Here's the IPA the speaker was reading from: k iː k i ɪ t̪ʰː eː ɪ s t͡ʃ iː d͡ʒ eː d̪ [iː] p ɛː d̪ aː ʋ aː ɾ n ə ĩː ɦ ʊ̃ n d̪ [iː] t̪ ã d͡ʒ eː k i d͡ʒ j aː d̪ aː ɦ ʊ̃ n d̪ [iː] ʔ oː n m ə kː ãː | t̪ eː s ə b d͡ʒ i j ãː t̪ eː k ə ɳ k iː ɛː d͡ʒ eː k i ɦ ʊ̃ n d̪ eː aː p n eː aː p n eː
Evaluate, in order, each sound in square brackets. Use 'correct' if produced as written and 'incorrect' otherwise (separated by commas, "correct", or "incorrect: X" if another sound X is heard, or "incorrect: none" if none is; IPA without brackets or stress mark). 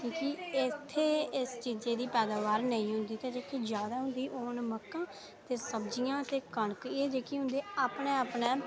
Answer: correct, correct, correct